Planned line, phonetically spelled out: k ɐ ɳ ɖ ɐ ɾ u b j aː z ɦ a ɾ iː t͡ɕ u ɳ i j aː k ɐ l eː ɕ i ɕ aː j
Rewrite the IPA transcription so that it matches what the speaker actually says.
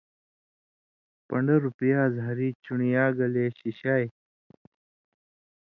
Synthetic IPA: p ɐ ɳ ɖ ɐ ɾ u p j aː z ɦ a ɾ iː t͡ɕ u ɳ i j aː ɡ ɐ l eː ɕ i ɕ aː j